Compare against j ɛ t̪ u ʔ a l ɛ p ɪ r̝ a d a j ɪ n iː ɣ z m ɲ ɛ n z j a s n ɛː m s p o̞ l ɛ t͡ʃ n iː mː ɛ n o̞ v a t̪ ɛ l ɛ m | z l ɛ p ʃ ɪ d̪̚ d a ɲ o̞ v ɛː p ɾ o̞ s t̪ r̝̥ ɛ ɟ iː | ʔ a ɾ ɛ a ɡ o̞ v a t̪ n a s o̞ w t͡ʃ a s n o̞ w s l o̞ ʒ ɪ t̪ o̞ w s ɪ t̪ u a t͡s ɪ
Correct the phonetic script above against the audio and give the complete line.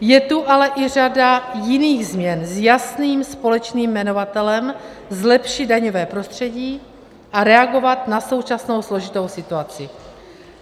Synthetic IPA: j ɛ t̪ u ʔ a l ɛ ʔ ɪ r̝ a d a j ɪ n iː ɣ z m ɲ ɛ n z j a s n iː m s p o̞ l ɛ t͡ʃ n iː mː ɛ n o̞ v a t̪ ɛ l ɛ m | z l ɛ p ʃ ɪ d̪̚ d a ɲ o̞ v ɛː p ɾ o̞ s t̪ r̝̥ ɛ ɟ iː | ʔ a ɾ ɛ a ɡ o̞ v a t̪ n a s o̞ w t͡ʃ a s n o̞ w s l o̞ ʒ ɪ t̪ o̞ w s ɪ t̪ u a t͡s ɪ